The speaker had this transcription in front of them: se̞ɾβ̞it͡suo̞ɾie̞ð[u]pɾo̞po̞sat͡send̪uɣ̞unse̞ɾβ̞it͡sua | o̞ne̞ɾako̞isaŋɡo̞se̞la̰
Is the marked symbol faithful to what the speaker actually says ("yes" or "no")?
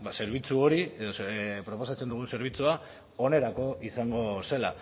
no